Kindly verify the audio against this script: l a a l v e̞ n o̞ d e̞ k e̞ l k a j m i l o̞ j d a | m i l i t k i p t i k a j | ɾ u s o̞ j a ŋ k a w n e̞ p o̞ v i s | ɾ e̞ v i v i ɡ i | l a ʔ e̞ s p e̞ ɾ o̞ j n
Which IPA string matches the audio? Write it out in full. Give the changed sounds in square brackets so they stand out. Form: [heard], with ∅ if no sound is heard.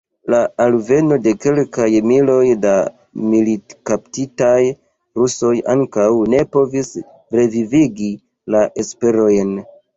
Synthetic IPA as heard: l a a l v e̞ n o̞ d e̞ k e̞ l k a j m i l o̞ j d a | m i l i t k [a] p t i [t] a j | ɾ u s o̞ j a ŋ k a w n e̞ p o̞ v i s | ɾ e̞ v i v i ɡ i | l a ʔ e̞ s p e̞ ɾ o̞ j n